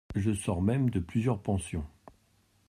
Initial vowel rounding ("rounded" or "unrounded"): unrounded